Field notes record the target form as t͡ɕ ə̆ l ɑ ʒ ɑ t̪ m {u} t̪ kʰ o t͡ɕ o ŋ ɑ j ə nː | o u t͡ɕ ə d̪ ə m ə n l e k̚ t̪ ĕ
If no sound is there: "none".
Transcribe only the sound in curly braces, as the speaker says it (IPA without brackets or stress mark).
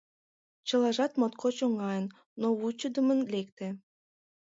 o